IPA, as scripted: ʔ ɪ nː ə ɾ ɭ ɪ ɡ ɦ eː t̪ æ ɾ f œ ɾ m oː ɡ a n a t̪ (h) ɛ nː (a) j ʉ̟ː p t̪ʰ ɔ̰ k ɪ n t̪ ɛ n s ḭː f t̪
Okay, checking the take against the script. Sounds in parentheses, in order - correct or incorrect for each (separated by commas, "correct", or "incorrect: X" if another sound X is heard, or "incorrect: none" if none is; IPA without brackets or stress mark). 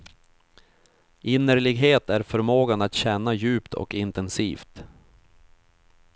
incorrect: ɕ, correct